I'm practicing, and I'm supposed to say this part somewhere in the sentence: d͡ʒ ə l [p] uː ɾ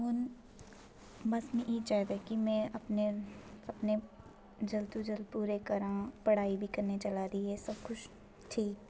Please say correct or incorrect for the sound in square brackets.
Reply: correct